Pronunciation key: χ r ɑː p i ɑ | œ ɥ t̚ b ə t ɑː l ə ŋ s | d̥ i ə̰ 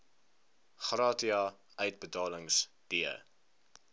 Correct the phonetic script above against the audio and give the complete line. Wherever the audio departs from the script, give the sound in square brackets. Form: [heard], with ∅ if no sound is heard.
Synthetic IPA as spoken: χ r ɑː [t] i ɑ | œ ɥ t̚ b ə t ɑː l ə ŋ s | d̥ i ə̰